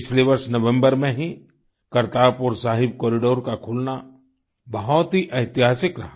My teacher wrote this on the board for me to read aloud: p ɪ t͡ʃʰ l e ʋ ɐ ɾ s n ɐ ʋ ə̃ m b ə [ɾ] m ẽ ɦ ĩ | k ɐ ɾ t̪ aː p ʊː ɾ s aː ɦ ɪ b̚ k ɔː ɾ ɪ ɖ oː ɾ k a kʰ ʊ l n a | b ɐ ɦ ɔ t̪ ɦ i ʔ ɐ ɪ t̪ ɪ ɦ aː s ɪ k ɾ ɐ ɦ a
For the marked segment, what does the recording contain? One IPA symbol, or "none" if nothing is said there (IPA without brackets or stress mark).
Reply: ɾ